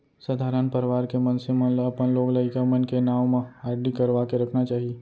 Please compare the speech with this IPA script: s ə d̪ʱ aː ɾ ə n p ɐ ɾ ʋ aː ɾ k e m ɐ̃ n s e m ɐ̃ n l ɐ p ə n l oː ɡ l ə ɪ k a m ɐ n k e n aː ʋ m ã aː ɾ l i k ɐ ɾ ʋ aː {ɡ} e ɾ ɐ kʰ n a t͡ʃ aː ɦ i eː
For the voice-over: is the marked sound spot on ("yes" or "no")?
no